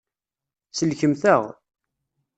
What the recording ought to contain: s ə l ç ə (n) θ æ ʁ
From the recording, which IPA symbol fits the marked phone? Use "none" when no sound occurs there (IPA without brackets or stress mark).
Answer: m